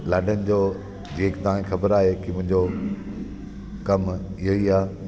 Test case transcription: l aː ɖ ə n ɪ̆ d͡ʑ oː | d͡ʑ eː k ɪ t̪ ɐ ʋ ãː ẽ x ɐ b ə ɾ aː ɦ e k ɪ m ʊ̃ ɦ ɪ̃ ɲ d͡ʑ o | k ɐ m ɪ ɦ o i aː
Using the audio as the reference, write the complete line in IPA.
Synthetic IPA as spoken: l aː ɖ ə n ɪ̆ d͡ʑ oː | d͡ʑ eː k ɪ t̪ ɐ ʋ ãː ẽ x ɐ b ə ɾ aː ɦ e k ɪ m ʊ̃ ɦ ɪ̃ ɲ d͡ʑ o | k ɐ m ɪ ɦ o i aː

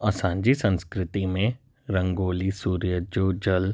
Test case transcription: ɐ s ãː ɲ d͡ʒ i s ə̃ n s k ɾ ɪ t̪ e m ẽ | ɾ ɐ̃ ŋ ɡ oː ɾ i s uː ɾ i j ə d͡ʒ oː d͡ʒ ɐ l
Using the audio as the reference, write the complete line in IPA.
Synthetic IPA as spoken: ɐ s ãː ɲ d͡ʒ i s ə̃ n s k ɾ ɪ t̪ i m ẽ | ɾ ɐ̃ ŋ ɡ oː l i s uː ɾ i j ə d͡ʒ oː d͡ʒ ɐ l

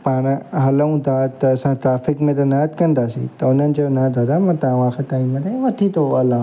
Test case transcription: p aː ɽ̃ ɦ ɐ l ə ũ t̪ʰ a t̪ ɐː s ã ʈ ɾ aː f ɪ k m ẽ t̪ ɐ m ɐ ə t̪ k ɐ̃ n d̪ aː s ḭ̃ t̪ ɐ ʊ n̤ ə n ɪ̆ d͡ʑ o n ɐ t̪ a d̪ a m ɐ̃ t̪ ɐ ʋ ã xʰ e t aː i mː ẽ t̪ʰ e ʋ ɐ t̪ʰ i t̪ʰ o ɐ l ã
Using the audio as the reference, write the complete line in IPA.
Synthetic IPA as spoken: p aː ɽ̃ ɦ ɐ l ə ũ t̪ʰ a t̪ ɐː s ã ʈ ɾ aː f ɪ k m ẽ t̪ ɐ n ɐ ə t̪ k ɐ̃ n d̪ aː s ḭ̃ t̪ ɐ ʊ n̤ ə n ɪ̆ d͡ʑ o n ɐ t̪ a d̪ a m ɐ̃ t̪ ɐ ʋ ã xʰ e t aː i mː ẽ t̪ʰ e ʋ ɐ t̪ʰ i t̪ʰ o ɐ l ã

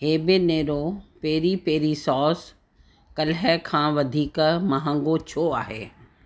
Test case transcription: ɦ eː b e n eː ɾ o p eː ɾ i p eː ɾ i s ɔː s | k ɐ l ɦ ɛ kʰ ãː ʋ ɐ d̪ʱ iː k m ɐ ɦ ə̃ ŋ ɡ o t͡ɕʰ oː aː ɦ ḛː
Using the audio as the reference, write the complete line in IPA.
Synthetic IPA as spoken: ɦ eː b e n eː ɾ o p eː ɾ i p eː ɾ i s ɔː s | k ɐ l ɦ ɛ kʰ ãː ʋ ɐ d̪ʱ iː k m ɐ ɦ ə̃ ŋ ɡ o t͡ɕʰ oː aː ɦ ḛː

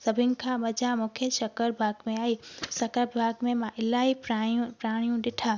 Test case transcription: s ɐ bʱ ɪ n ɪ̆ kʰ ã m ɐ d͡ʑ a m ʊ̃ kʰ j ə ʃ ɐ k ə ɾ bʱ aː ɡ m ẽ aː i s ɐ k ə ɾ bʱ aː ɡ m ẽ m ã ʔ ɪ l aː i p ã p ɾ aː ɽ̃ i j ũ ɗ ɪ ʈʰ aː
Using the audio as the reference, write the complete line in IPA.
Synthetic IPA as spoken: s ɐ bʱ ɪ n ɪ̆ kʰ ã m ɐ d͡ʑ a m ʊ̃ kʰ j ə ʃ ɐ k ə ɾ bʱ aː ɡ m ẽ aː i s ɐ k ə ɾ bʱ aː ɡ m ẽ m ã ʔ ɪ l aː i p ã p ɾ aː ɽ̃ i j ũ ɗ ɪ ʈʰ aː

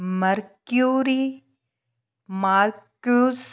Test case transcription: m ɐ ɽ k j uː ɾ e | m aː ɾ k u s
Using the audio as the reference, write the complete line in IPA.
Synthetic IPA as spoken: m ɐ ɾ k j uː ɾ i | m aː ɾ k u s

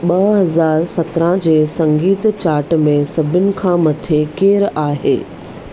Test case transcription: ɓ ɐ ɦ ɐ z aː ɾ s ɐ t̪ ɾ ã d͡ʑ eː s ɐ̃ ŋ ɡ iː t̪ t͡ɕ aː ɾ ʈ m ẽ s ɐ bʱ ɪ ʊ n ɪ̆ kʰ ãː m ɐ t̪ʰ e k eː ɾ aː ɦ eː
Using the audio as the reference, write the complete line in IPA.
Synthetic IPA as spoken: ɓ ɐ ɦ ɐ z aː ɾ s ɐ t̪ ɾ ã d͡ʑ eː s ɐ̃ ŋ ɡ iː t̪ t͡ɕ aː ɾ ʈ m ẽ s ɐ bʱ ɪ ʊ n ɪ̆ kʰ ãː m ɐ t̪ʰ e k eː ɾ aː ɦ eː

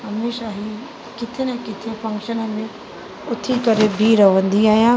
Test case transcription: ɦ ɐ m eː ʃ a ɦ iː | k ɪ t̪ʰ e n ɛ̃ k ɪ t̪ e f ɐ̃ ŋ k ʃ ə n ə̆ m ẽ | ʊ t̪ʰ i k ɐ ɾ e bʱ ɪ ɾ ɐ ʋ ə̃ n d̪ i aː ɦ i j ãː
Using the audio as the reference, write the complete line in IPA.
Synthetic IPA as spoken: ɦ ɐ m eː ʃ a ɦ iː | k ɪ t̪ʰ e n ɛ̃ k ɪ t̪ʰ e f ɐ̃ ŋ k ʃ ə n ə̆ m ẽ | ʊ t̪ʰ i k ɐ ɾ e bʱ i ɾ ɐ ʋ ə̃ n d̪ i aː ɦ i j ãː

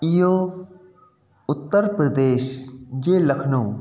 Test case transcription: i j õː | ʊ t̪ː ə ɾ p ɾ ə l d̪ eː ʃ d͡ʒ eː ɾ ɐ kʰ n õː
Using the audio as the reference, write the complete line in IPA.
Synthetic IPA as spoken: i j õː | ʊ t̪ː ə ɾ p ɾ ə d̪ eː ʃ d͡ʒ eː l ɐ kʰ n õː

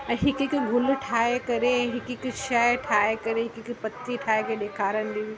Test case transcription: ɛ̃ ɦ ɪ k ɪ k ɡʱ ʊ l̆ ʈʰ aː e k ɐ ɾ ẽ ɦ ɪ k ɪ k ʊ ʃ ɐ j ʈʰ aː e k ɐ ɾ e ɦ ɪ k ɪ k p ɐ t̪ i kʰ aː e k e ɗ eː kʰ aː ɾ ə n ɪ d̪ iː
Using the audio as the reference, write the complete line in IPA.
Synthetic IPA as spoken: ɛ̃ ɦ ɪ k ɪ k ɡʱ ʊ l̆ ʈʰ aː e k ɐ ɾ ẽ ɦ ɪ k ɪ k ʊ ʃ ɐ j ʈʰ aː e k ɐ ɾ e ɦ ɪ k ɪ k p ɐ t̪ i ʈʰ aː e k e ɗ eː kʰ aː ɾ ə n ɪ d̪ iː

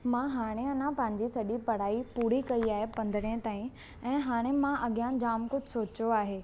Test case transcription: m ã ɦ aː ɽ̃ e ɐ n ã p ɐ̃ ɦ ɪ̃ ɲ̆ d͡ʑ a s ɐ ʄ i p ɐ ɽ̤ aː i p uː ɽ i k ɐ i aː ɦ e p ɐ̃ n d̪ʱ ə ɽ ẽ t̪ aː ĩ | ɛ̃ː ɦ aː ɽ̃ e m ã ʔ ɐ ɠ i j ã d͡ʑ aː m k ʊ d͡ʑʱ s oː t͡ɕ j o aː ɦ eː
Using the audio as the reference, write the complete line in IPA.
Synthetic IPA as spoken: m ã ɦ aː ɽ̃ e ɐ n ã p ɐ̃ ɦ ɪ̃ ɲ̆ d͡ʑ i s ɐ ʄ i p ɐ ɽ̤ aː i p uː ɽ i k ɐ i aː ɦ e p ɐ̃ n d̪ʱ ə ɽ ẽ t̪ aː ĩ | ɛ̃ː ɦ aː ɽ̃ e m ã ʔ ɐ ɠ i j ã d͡ʑ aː m k ʊ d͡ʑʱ s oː t͡ɕ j o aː ɦ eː

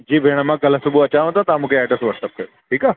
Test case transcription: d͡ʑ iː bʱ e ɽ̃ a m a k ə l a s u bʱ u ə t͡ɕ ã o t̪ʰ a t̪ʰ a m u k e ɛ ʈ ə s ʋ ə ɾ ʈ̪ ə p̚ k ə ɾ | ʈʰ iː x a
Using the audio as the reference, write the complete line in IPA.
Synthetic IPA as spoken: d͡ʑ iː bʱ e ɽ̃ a m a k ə l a s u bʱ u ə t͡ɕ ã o t̪ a t̪ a m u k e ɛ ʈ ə s ʋ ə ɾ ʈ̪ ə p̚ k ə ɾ | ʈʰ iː k a

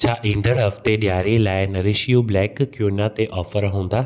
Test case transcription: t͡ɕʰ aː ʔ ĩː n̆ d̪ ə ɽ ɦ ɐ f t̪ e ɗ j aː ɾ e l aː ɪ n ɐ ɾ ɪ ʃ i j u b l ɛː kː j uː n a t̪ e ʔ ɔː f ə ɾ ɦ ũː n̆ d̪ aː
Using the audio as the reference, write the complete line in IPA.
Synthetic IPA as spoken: t͡ɕʰ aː ʔ ĩː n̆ d̪ ə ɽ ɦ ɐ f t̪ e ɗ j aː ɾ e l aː ɪ n ɐ ɾ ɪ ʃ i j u b l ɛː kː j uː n a t̪ e ʔ ɔː f ə ɾ ɦ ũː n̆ d̪ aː

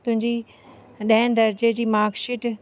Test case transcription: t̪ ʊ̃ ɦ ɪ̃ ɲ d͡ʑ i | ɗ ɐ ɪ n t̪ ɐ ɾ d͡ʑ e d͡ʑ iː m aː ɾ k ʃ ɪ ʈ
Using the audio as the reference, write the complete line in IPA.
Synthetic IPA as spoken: t̪ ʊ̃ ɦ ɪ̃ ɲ d͡ʑ i | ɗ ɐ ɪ n d̪ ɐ ɾ d͡ʑ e d͡ʑ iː m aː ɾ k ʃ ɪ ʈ

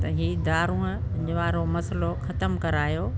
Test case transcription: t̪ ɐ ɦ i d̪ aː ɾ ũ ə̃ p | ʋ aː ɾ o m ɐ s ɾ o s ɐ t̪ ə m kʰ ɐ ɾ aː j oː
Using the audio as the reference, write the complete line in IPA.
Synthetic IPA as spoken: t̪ ɐ ɦ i d̪ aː ɾ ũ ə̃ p | ʋ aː ɾ o m ɐ s l o x ɐ t̪ ə m k ɐ ɾ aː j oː

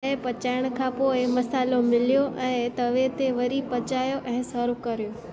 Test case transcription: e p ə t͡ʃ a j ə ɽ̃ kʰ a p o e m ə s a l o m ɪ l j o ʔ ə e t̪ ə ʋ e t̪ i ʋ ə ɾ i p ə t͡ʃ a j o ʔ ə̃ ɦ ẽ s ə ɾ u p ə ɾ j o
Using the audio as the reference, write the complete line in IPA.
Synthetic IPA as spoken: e p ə t͡ʃ a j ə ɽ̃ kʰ a p o e m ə s a l o m ɪ l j o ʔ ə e t̪ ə ʋ e t̪ e ʋ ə ɾ i p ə t͡ʃ a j o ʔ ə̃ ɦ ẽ s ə ɾ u k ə ɾ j o

